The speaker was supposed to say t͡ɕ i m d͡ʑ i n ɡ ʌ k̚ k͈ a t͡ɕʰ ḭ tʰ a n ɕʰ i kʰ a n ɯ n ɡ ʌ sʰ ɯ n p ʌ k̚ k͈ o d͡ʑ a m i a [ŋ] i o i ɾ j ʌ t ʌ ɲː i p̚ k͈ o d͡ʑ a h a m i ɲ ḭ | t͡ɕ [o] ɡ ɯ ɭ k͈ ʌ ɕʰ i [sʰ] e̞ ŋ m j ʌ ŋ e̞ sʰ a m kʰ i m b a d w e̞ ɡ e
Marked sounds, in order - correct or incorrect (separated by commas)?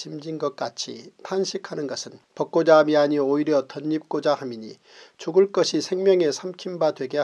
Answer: incorrect, incorrect, correct